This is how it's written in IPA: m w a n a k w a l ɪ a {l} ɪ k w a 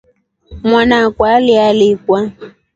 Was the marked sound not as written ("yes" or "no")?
no